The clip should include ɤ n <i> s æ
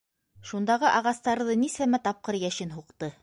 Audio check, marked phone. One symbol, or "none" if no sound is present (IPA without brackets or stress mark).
i